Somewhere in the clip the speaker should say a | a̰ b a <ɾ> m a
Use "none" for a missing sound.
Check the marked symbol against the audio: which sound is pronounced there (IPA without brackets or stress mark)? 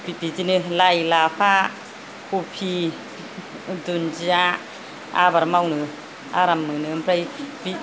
ɾ